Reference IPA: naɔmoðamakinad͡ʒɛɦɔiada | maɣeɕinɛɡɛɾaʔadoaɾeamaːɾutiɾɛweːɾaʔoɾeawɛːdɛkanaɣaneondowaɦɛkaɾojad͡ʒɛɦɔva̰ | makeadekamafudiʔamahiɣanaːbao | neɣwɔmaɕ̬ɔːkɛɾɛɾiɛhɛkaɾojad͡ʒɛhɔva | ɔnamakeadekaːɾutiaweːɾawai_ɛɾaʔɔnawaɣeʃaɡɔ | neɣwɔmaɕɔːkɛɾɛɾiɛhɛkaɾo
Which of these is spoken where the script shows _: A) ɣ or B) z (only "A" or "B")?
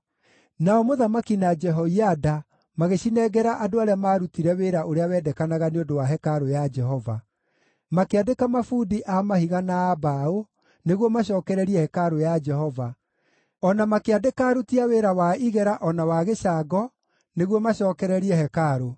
A